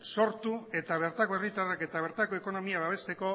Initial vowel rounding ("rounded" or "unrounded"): rounded